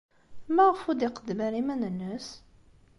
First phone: m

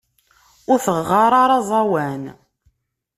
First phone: ʊ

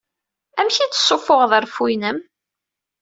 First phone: æ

